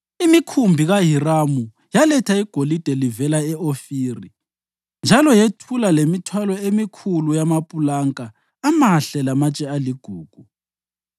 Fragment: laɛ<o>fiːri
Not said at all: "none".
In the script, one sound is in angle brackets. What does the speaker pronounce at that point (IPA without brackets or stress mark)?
o